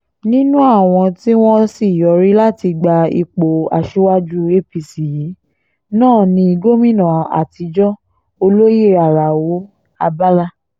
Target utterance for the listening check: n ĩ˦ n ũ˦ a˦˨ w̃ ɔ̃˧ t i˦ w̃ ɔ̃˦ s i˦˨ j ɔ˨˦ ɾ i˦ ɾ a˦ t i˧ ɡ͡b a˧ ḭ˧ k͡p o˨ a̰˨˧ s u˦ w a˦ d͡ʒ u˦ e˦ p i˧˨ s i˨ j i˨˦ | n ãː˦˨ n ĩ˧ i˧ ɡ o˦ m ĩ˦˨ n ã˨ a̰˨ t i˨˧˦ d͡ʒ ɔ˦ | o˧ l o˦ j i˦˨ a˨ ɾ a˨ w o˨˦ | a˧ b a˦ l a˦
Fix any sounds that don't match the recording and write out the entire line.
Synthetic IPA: n ĩ˦ n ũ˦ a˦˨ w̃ ɔ̃˧ t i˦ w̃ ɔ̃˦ s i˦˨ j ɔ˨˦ ɾ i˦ l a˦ t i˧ ɡ͡b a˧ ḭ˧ k͡p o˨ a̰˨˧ ʃ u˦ w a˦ d͡ʒ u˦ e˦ p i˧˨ s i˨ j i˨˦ | n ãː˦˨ n ĩ˧ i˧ ɡ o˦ m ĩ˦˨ n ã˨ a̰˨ t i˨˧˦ d͡ʒ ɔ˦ | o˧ l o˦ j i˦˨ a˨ ɾ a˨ w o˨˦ | a˧ b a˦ l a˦